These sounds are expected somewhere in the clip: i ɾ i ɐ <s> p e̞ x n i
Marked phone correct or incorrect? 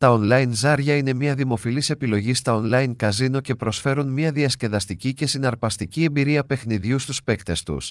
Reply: incorrect